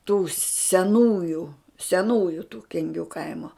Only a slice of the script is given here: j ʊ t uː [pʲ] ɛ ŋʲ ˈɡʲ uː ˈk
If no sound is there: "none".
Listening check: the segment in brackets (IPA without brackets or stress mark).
kʲ